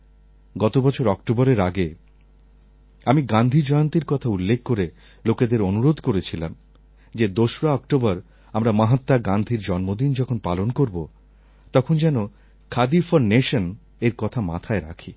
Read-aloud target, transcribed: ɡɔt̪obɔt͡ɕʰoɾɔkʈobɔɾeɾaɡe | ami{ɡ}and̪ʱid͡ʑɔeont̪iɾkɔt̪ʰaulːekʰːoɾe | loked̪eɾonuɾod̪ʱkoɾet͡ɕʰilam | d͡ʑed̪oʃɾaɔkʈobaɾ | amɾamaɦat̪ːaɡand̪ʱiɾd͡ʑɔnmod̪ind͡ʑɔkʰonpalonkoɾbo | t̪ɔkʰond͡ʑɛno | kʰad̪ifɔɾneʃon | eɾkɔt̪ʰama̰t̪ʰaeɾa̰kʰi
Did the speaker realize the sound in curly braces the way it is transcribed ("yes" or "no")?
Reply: yes